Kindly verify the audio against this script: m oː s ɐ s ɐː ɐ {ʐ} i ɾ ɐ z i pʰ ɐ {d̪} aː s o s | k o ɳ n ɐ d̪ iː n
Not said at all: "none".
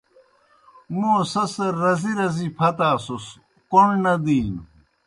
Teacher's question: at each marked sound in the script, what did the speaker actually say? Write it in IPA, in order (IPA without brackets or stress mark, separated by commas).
z, t̪